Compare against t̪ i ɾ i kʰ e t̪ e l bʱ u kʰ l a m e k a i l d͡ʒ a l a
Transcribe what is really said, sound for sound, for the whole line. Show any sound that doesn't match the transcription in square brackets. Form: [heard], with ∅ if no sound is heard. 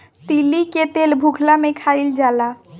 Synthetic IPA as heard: t̪ i [l] i [k] e t̪ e l bʱ u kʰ l a m e [kʰ] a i l d͡ʒ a l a